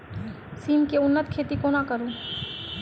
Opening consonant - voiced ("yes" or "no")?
no